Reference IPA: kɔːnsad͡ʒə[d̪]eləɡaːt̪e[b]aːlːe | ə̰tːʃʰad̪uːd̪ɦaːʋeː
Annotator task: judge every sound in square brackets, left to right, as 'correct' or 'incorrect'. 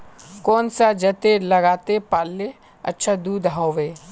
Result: incorrect: t̪, incorrect: p

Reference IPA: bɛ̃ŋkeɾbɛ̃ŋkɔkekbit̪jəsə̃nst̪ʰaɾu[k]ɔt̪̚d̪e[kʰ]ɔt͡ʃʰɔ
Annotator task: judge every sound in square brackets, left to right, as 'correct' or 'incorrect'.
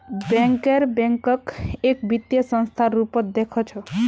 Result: incorrect: p, correct

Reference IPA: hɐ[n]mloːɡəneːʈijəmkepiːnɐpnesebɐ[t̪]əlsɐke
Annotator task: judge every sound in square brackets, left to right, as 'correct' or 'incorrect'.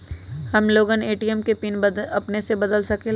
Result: incorrect: none, incorrect: d̪

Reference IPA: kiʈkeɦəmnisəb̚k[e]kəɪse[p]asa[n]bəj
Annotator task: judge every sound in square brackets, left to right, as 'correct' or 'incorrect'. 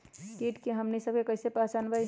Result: correct, correct, correct

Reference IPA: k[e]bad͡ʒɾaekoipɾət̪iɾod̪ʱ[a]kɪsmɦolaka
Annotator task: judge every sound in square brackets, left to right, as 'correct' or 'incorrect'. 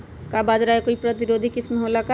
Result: incorrect: a, incorrect: i

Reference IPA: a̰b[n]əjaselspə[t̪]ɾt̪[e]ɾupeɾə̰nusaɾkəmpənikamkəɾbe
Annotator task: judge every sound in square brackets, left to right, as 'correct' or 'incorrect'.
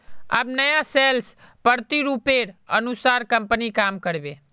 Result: correct, incorrect: none, incorrect: i

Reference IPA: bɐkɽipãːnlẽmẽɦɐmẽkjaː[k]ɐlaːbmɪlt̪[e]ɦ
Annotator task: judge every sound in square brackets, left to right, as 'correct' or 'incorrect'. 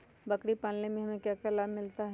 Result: correct, incorrect: a

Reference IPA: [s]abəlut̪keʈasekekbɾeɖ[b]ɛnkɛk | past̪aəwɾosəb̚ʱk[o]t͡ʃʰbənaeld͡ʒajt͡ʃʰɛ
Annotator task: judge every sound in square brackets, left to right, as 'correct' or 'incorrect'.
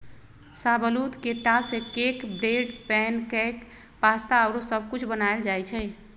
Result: correct, incorrect: p, incorrect: u

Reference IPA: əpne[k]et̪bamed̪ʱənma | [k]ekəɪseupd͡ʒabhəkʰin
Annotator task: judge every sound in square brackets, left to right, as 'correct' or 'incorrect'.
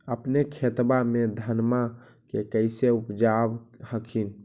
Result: incorrect: kʰ, correct

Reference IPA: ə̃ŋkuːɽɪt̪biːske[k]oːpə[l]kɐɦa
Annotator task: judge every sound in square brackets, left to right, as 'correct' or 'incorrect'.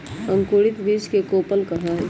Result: correct, correct

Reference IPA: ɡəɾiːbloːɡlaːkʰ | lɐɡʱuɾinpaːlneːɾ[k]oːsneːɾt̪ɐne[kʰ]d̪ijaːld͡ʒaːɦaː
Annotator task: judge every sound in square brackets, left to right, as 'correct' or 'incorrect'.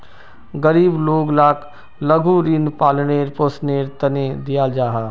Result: incorrect: p, incorrect: none

